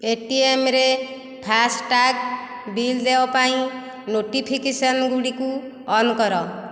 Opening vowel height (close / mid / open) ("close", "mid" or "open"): mid